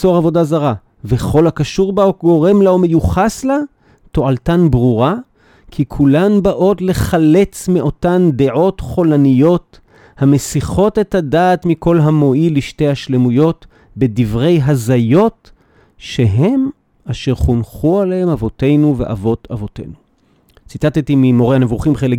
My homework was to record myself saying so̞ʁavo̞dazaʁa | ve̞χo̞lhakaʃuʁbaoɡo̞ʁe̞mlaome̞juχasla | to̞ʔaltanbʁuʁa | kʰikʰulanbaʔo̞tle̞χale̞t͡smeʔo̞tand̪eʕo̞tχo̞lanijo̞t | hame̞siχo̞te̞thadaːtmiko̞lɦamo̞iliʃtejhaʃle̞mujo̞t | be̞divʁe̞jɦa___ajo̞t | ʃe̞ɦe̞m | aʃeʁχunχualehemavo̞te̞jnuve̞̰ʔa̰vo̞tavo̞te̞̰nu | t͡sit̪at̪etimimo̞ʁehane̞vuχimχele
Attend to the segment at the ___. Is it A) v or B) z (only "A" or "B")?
B